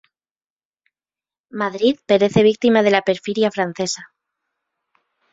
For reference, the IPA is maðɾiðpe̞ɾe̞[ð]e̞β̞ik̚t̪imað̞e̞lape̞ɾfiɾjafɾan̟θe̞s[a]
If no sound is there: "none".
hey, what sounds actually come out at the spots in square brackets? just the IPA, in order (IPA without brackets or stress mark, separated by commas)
θ, a